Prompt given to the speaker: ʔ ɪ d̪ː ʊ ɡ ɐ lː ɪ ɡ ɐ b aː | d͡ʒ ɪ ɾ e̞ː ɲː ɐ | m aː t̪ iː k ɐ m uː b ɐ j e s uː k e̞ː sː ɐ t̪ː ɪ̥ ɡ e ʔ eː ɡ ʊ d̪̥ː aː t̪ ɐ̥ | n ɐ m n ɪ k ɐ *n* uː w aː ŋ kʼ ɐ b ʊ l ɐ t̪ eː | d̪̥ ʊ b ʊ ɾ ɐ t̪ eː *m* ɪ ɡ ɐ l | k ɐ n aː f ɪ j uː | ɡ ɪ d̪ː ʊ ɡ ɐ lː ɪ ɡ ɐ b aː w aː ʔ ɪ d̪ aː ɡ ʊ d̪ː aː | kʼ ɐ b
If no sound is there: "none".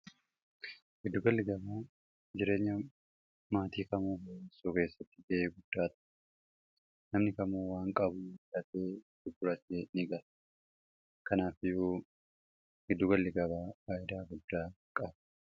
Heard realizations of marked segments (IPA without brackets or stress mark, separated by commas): m, n